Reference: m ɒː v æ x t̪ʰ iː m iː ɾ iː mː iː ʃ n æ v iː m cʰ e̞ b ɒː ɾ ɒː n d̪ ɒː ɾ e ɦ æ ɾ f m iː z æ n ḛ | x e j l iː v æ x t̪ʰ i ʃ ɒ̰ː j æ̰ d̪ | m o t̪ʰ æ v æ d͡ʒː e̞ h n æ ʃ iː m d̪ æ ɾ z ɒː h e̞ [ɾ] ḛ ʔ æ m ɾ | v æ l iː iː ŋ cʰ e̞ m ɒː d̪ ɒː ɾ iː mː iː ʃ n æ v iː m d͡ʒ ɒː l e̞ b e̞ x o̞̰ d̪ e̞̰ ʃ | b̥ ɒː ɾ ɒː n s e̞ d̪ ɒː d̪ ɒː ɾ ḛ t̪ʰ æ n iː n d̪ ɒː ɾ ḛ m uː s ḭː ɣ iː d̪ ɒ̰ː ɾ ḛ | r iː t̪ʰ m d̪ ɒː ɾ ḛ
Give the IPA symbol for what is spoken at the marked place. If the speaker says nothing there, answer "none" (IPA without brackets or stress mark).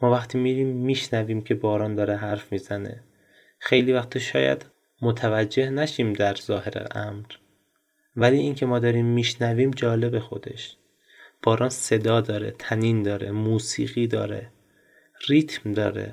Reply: ɾ